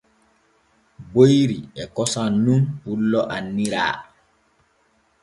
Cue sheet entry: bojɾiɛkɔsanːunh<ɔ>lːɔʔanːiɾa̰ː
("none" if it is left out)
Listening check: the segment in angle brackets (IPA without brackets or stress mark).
u